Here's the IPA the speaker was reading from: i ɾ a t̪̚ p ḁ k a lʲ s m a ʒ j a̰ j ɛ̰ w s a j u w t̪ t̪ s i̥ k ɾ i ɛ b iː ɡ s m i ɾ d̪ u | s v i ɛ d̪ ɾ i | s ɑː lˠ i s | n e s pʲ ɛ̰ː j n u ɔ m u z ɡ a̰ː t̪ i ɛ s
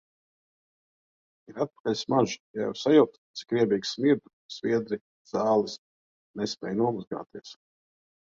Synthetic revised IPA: i ɾ a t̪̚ p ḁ k a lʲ s m a ʒ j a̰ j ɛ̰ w s a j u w t̪ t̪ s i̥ k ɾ i ɛ b iː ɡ s m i ɾ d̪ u | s v i ɛ d̪ ɾ i | z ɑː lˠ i s | n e s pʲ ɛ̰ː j n u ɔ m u z ɡ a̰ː t̪ i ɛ s

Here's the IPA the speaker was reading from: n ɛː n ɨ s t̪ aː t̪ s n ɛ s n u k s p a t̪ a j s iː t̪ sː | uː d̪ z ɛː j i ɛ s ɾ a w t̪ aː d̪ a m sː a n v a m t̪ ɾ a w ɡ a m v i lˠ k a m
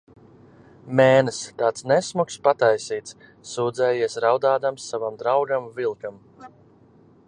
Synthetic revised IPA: m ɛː n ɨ s t̪ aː t̪ s n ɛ s m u k s p a t̪ a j s iː t̪ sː | uː d̪ z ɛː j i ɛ s ɾ a w d̪ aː d̪ a m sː a v a m d̪ ɾ a w ɡ a m v i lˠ k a m

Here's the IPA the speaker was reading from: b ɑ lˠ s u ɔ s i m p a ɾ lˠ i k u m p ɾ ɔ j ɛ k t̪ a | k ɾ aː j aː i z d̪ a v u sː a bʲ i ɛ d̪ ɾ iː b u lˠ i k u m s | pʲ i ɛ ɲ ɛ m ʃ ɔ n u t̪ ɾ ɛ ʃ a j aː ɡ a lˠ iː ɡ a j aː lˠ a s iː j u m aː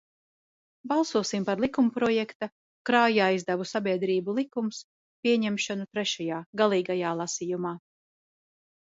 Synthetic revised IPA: b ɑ lˠ s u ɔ s i m p a ɾ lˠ i k u m p ɾ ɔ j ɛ k t̪ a | k ɾ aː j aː i z d̪ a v u s a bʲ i ɛ d̪ ɾ iː b u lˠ i k u m s | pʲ i ɛ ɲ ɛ m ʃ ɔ n u t̪ ɾ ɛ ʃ a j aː ɡ a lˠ iː ɡ a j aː lˠ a s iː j u m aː

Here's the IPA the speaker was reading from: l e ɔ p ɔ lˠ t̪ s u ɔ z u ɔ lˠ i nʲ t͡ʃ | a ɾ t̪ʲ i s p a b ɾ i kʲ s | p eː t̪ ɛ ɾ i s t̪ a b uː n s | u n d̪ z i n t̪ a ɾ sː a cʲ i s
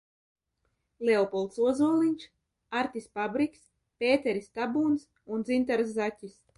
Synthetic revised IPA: l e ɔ p ɔ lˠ t̪ s u ɔ z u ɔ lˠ i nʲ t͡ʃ | a ɾ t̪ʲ i s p a b ɾ i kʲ s | p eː t̪ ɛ ɾ i s t̪ a b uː n s | u n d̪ z i n t̪ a ɾ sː a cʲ i s

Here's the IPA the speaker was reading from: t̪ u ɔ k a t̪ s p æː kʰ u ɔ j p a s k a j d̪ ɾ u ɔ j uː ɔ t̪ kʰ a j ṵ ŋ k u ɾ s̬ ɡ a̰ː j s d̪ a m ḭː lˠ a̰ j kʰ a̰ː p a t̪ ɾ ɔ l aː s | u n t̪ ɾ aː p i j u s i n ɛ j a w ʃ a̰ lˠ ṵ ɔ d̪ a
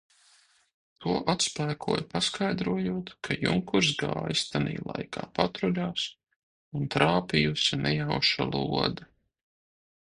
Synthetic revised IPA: t̪ u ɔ ʔ a t̪ s p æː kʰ u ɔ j p a s k a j d̪ ɾ u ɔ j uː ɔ t̪ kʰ a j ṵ ŋ k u ɾ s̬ ɡ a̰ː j s t̪ a n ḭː lˠ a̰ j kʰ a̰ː p a t̪ ɾ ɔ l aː s | u n t̪ ɾ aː p i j u s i n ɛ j a w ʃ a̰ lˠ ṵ ɔ d̪ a

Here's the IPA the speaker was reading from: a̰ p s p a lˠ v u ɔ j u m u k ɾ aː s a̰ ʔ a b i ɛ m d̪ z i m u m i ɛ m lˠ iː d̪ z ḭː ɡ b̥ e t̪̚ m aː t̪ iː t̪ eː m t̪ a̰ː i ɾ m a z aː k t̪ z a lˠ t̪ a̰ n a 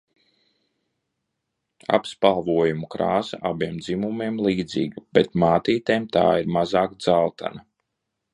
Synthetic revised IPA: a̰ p s p a lˠ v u ɔ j u m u k ɾ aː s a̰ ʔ a b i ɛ m d̪ z i m u m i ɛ m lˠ iː d̪ z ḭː ɡ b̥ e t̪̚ m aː t̪ iː t̪ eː m t̪ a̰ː i ɾ m a z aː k d̪ z a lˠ t̪ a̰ n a

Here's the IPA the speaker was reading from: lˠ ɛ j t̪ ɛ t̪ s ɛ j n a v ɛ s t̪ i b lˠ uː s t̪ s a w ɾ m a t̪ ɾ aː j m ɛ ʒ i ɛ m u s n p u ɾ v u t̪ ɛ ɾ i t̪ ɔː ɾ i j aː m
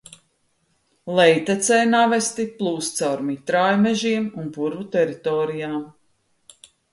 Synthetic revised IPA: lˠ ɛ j t̪ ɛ t̪ s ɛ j n a v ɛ s t̪ i p lˠ uː s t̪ s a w ɾ m i t̪ ɾ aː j m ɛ ʒ i ɛ m u n p u ɾ v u t̪ ɛ ɾ i t̪ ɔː ɾ i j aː m

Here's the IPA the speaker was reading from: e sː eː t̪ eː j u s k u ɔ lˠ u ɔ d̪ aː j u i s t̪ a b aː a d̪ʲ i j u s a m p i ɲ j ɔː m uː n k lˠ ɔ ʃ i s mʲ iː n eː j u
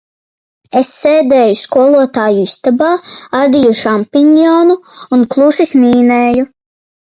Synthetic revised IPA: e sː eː d̪ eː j u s k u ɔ lˠ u ɔ t̪ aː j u i s t̪ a b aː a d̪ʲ i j u ʃ a m p i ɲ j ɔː n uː n k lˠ u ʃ i s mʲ iː n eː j u

